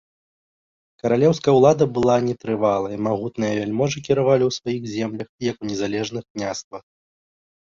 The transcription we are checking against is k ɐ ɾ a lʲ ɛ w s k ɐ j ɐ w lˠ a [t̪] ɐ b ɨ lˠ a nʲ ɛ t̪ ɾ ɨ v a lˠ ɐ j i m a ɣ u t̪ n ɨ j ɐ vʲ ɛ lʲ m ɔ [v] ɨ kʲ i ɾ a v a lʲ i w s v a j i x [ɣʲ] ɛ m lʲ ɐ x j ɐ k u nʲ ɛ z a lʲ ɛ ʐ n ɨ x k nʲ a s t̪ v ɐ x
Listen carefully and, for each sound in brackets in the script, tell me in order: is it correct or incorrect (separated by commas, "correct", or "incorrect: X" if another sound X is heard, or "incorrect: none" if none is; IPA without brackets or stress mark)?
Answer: incorrect: d̪, incorrect: ʐ, incorrect: zʲ